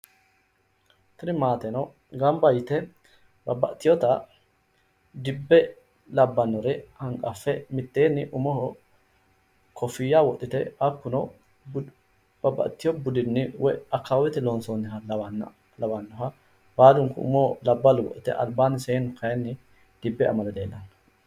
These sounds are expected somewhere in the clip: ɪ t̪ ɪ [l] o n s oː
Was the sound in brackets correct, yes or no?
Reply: yes